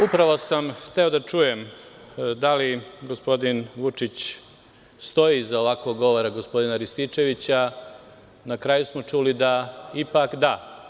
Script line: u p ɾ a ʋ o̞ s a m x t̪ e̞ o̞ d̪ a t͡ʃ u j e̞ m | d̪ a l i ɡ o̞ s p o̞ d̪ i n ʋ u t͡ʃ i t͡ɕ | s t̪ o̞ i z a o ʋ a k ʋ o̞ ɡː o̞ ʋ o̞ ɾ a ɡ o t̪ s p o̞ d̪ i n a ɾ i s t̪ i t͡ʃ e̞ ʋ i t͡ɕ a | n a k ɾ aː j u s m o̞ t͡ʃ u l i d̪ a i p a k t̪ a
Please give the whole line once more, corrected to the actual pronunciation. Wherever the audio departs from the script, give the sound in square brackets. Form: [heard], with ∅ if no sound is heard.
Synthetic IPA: u p ɾ a ʋ o̞ s a m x t̪ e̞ o̞ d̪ a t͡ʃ u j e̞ m | d̪ a l i ɡ o̞ s p o̞ d̪ i n ʋ u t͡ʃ i t͡ɕ | s t̪ o̞ i z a o ʋ a k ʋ o̞ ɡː o̞ ʋ o̞ ɾ a ɡ o [∅] s p o̞ d̪ i n a ɾ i s t̪ i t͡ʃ e̞ ʋ i t͡ɕ a | n a k ɾ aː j u s m o̞ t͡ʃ u l i d̪ a i p a k [d̪] a

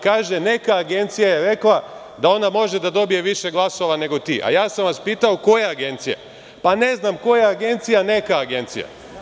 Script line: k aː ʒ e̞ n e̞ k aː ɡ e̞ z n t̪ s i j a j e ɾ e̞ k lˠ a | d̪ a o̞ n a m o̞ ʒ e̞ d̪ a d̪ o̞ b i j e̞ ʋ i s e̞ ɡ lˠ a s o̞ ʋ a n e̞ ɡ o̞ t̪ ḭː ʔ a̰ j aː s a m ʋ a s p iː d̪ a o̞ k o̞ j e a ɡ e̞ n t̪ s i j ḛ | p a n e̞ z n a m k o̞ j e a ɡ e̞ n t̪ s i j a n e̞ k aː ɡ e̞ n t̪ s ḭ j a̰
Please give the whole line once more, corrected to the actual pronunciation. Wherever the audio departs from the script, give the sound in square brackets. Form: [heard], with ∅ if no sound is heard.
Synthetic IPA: k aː ʒ e̞ n e̞ k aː ɡ e̞ [∅] n t̪ s i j a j e ɾ e̞ k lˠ a | d̪ a o̞ n a m o̞ ʒ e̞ d̪ a d̪ o̞ b i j e̞ ʋ i [ʃ] e̞ ɡ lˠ a s o̞ ʋ a n e̞ ɡ o̞ t̪ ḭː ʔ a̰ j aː s a m ʋ a s p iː [t̪] a o̞ k o̞ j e a ɡ e̞ n t̪ s i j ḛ | p a n e̞ z n a m k o̞ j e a ɡ e̞ n t̪ s i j a n e̞ k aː ɡ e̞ n t̪ s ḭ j a̰

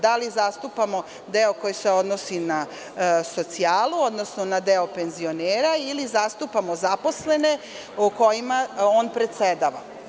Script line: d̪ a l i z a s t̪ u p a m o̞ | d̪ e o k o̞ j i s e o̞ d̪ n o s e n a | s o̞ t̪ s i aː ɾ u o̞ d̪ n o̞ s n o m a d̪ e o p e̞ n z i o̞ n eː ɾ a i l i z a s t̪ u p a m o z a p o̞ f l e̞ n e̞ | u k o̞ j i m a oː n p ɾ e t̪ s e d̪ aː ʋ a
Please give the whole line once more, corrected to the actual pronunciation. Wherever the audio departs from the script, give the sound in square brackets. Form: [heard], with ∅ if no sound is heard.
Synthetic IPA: d̪ a l i z a s t̪ u p a m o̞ | d̪ e o k o̞ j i s e o̞ d̪ n o s [i] n a | s o̞ t̪ s i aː [l] u o̞ d̪ n o̞ s n o [n] a d̪ e o p e̞ n z i o̞ n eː ɾ a i l i z a s t̪ u p a m o z a p o̞ [s] l e̞ n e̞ | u k o̞ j i m a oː n p ɾ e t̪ s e d̪ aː ʋ a

